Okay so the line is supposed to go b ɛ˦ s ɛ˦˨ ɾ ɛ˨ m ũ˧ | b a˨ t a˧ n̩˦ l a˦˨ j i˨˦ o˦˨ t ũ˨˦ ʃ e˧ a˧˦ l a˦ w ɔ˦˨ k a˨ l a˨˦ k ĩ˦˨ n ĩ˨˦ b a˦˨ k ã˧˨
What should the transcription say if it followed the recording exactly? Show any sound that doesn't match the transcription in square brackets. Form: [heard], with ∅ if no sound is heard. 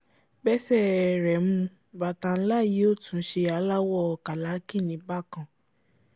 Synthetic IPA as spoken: b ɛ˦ s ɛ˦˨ ɾ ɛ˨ m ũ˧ | b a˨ t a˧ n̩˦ l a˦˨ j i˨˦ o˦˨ t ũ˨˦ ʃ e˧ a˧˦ l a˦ w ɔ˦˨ k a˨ l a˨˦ k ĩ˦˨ n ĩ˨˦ b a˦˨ k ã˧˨